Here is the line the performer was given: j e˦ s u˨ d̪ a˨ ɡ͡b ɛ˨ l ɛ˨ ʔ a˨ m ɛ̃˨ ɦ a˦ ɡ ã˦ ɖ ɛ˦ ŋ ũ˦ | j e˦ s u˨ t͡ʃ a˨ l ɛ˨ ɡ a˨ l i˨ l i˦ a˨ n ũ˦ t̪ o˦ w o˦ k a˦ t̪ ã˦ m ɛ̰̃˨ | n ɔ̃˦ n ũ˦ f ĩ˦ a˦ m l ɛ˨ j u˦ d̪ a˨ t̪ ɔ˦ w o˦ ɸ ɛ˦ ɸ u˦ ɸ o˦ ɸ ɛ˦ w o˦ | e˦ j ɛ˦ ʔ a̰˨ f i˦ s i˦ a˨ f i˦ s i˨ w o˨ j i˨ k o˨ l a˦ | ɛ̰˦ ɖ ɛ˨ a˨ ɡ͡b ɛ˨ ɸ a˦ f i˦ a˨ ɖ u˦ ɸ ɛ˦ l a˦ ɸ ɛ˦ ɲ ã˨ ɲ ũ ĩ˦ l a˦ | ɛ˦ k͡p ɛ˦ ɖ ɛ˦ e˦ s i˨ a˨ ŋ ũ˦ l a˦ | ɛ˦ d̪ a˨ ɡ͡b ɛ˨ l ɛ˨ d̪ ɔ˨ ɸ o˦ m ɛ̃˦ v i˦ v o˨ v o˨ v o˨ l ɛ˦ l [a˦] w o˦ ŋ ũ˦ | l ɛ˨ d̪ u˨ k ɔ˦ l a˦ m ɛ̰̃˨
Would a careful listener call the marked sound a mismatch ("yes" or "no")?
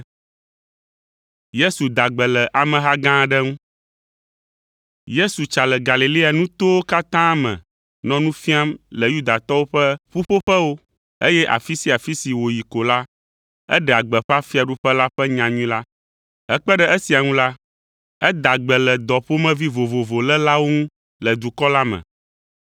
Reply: no